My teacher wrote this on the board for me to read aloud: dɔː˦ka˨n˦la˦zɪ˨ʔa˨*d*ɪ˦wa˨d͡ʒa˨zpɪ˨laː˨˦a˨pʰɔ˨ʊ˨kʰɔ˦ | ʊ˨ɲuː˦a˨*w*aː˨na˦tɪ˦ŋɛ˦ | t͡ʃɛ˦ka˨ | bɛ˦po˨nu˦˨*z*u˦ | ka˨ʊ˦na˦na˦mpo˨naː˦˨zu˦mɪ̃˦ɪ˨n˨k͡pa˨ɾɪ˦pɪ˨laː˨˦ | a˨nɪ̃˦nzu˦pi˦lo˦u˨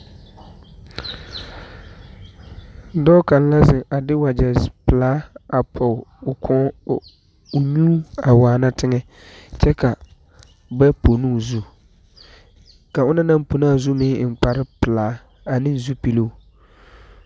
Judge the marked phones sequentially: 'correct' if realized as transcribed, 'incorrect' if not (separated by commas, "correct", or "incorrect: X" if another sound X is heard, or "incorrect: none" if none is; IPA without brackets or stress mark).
correct, correct, correct